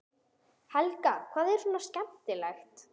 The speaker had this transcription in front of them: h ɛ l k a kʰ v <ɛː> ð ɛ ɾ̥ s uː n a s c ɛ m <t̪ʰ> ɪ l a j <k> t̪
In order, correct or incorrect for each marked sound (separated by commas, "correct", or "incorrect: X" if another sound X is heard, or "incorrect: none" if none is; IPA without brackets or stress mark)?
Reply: incorrect: aː, incorrect: t̪, incorrect: x